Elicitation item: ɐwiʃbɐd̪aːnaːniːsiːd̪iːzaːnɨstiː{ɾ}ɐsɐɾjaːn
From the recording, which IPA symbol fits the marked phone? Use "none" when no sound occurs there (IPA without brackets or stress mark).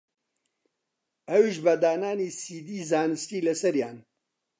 l